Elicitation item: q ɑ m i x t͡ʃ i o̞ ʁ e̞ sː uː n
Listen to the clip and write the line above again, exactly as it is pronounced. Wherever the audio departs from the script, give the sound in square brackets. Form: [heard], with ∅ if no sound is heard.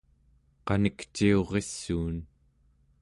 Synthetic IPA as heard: q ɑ [n] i [k] t͡ʃ i o̞ ʁ e̞ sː uː n